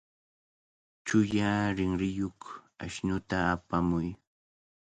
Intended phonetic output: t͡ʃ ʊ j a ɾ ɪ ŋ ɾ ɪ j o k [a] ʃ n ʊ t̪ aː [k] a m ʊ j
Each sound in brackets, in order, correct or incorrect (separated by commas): correct, incorrect